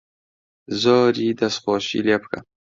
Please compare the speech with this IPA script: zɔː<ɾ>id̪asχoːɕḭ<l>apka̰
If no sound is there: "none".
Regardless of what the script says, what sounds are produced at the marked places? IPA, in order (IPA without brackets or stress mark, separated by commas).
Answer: ɾ, l